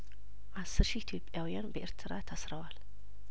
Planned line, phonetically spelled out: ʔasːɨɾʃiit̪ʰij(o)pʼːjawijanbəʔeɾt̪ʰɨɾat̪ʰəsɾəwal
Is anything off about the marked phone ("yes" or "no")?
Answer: no